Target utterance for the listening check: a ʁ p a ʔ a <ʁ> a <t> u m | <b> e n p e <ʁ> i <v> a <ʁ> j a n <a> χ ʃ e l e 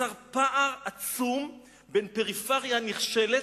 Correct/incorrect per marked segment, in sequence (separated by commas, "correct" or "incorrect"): correct, incorrect, correct, correct, incorrect, correct, incorrect